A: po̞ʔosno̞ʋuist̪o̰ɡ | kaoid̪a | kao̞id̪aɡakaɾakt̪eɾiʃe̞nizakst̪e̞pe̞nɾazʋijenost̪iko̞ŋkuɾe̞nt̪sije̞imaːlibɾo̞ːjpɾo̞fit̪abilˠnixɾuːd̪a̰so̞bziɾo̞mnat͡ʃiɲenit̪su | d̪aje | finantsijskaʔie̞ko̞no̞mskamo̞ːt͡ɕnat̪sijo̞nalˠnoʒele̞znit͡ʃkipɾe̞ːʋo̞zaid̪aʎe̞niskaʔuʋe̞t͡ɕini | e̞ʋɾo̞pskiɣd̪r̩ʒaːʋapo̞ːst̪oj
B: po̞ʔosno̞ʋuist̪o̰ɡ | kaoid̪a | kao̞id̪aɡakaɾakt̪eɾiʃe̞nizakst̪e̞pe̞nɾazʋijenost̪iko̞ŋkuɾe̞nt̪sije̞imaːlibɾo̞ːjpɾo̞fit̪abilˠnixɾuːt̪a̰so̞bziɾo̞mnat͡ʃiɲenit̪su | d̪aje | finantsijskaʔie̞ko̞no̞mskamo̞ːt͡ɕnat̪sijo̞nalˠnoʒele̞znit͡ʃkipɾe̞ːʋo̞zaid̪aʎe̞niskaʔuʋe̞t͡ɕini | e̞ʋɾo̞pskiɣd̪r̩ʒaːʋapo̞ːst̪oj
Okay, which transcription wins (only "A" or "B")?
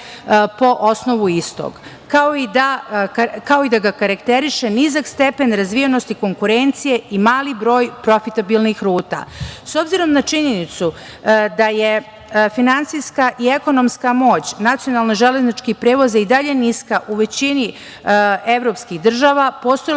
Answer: B